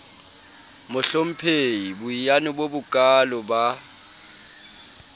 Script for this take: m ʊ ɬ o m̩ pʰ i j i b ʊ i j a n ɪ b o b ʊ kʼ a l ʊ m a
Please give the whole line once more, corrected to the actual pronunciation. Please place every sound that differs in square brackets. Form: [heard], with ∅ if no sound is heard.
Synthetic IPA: m ʊ ɬ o m̩ pʰ [e] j i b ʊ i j a n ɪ b o b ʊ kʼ a l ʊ [b] a